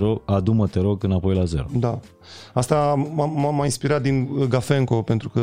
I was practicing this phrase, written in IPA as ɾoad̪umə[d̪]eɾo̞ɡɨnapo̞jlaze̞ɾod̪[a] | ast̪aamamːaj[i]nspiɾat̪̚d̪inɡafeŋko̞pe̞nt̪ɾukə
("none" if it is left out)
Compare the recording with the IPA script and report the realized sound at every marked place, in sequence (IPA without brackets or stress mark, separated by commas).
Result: t̪, a, i